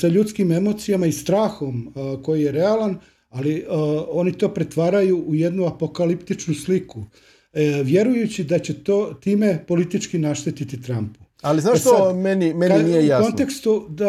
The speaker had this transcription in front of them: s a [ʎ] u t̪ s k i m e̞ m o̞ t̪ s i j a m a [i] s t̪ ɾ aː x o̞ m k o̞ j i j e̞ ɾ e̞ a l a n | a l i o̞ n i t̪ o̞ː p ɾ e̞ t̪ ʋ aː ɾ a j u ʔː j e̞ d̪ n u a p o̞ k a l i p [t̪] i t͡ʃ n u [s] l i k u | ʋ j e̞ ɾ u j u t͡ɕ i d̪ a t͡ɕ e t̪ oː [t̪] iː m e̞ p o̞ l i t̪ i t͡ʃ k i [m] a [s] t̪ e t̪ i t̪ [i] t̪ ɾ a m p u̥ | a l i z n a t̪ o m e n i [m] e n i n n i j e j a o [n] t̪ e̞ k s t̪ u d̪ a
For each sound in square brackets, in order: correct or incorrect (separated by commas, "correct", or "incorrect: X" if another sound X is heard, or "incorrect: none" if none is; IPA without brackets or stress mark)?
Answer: correct, correct, correct, correct, correct, incorrect: n, incorrect: ʃ, correct, correct, correct